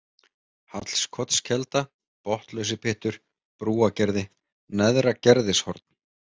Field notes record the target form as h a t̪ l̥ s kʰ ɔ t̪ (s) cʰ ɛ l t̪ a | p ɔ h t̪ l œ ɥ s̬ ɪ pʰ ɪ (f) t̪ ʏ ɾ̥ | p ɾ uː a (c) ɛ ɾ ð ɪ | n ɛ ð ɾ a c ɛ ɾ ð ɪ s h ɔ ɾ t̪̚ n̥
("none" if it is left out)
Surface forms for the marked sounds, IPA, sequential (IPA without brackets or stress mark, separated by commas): s, h, c